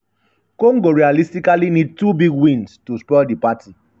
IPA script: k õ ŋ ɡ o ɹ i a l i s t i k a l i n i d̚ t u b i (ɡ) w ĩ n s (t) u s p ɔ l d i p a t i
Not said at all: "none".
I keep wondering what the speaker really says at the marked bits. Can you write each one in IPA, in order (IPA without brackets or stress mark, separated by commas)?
ɡ, t